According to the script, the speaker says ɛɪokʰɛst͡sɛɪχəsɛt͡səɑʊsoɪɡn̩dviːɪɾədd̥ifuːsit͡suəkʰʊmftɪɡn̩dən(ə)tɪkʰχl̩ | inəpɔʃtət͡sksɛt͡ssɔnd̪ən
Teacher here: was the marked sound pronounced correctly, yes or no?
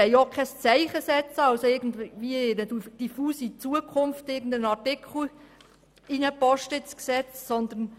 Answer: no